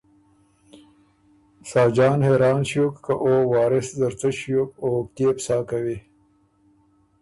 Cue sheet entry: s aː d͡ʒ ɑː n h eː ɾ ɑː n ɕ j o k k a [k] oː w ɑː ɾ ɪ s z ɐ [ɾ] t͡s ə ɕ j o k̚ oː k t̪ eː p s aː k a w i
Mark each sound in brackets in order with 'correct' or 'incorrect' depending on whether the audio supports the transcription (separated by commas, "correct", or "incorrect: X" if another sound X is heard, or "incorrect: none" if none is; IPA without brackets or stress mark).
incorrect: ʔ, correct